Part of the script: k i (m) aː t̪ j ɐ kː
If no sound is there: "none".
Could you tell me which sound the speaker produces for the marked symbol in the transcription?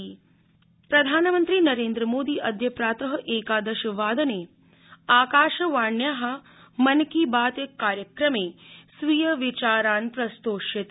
b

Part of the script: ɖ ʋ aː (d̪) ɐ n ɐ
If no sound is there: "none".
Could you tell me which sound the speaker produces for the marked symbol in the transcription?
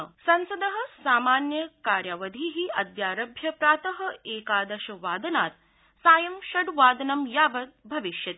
d̪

